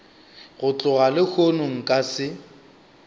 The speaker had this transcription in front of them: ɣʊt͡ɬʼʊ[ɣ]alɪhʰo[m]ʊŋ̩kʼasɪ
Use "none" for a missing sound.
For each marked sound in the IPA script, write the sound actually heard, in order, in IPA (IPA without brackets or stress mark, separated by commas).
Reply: ɣ, n